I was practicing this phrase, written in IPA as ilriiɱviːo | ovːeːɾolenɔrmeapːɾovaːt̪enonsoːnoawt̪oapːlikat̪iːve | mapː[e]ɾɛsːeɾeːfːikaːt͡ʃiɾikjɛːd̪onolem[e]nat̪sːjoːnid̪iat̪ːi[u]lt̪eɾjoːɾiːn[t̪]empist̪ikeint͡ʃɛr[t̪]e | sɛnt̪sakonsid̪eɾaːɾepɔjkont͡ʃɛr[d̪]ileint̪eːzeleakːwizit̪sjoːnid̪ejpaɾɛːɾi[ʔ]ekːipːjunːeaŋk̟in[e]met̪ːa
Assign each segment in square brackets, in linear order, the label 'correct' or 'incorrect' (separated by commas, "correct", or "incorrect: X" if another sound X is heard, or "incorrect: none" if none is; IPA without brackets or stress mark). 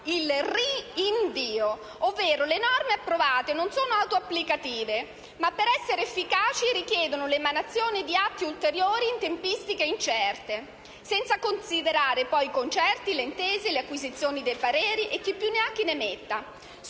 correct, incorrect: a, correct, correct, correct, incorrect: t̪, correct, correct